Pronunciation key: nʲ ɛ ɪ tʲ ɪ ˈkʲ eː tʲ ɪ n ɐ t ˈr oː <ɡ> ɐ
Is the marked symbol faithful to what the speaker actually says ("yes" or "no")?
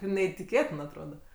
no